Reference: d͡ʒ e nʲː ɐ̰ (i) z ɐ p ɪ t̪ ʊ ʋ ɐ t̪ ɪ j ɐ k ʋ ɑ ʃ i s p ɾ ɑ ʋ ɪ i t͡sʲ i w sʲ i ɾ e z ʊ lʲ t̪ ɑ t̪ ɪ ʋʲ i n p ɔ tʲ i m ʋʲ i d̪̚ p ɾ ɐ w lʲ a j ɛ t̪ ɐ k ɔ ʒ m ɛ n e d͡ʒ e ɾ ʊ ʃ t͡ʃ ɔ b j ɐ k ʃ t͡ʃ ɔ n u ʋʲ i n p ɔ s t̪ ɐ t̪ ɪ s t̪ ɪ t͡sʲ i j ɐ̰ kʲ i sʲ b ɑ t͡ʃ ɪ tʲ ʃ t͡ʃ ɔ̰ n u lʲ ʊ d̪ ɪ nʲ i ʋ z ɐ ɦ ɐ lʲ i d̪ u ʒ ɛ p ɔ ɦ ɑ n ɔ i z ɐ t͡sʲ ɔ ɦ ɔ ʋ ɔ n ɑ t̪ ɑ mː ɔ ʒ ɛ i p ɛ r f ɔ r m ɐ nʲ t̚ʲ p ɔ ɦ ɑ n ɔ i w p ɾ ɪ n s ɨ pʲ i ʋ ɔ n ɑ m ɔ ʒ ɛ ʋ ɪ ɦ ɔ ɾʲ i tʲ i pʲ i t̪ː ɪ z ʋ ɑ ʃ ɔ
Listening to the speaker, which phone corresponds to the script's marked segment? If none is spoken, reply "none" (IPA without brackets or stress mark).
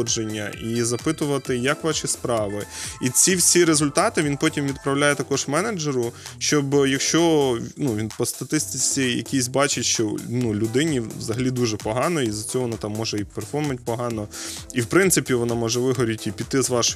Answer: i